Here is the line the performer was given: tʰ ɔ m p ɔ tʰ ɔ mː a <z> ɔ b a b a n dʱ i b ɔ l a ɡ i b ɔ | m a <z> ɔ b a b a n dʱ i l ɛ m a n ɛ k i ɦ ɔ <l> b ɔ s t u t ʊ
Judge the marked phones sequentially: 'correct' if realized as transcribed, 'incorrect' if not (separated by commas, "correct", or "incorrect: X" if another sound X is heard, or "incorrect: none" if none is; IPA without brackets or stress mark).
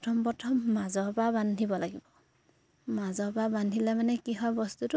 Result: correct, correct, incorrect: none